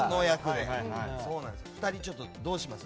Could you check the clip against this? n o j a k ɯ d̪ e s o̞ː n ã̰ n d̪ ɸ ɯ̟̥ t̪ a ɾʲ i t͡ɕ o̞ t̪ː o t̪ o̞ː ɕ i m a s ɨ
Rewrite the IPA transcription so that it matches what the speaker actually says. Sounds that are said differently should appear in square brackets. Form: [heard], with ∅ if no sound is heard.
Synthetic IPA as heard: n o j a k ɯ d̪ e s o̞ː n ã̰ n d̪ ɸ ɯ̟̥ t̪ a ɾʲ i t͡ɕ o̞ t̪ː o [d̪] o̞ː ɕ i m a s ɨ